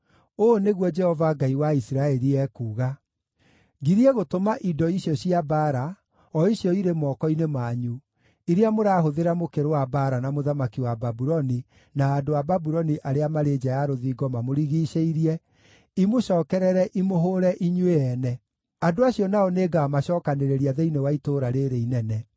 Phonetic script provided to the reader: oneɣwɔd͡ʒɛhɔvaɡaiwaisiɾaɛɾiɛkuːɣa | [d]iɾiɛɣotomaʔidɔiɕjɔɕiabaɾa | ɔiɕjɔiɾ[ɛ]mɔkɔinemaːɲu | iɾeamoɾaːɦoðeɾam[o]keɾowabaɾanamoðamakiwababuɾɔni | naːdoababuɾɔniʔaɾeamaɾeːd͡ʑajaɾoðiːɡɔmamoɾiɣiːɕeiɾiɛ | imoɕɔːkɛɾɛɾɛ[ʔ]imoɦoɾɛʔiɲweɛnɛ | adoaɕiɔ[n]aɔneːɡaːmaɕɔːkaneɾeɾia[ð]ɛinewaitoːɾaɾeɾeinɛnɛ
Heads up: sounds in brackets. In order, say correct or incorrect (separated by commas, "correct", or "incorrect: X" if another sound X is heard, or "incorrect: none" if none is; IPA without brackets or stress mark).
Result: incorrect: ɡ, incorrect: e, correct, correct, correct, correct